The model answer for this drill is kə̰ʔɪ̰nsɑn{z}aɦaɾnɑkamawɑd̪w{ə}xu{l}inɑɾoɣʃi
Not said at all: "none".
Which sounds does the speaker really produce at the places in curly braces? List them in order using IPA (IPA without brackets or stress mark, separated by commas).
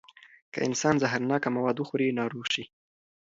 z, ə, ɾ